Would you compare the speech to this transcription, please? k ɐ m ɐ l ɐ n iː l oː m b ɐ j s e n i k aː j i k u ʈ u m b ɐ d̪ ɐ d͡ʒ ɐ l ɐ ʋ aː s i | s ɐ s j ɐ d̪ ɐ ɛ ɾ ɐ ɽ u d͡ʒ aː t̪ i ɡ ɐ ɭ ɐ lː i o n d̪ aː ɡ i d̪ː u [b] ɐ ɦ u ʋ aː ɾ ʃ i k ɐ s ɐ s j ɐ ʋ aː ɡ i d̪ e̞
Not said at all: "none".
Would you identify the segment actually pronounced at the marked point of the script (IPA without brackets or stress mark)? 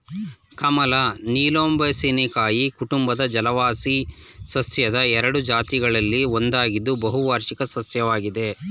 b